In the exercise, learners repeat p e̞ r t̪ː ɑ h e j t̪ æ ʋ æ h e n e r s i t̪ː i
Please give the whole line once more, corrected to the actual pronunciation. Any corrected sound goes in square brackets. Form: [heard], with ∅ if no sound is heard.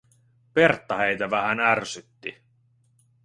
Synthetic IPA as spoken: p e̞ r t̪ː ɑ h e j t̪ æ ʋ æ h [æ] n [æ] r s [y] t̪ː i